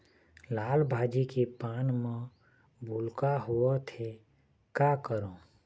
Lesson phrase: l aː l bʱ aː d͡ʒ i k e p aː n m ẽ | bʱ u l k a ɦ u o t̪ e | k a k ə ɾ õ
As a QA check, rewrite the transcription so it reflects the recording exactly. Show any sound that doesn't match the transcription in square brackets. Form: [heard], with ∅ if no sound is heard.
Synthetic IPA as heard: l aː l bʱ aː d͡ʒ i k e p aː n m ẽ | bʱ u l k a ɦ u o [t̪ʰ] e | k a k ə ɾ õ